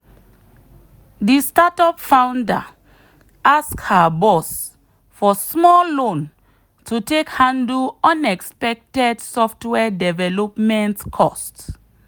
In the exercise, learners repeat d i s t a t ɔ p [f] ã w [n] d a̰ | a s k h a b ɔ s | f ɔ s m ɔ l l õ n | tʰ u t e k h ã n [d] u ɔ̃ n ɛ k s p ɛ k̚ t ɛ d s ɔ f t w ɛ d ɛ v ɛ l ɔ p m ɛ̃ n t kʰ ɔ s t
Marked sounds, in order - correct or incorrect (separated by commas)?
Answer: correct, correct, correct